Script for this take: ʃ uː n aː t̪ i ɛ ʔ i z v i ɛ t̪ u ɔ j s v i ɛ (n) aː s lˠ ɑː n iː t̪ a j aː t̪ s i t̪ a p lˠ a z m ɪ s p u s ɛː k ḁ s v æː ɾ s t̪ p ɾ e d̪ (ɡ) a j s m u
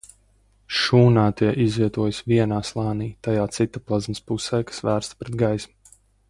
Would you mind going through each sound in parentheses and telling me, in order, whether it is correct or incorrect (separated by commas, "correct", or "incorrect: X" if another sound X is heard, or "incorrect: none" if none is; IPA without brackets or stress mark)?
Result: correct, correct